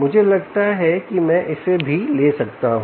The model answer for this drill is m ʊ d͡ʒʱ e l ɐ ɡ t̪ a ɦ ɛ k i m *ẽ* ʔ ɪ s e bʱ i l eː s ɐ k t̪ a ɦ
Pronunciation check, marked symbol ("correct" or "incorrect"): incorrect